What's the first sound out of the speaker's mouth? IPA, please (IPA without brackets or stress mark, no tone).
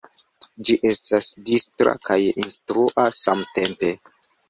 d͡ʒ